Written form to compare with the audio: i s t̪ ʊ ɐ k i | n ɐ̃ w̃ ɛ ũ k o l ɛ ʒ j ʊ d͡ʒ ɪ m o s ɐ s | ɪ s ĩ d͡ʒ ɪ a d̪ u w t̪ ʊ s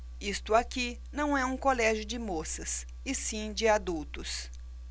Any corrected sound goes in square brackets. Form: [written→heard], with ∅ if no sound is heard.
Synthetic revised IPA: i s t̪ ʊ [ɐ→a] k i | n ɐ̃ w̃ ɛ ũ k o l ɛ ʒ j ʊ d͡ʒ ɪ m o s ɐ s | ɪ s ĩ d͡ʒ ɪ a d̪ u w t̪ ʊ s